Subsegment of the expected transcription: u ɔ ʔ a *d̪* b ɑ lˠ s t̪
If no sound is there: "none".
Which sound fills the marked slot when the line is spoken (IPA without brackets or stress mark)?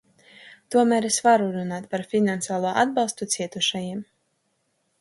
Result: d̪